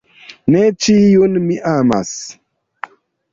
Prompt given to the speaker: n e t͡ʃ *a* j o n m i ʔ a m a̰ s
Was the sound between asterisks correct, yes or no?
no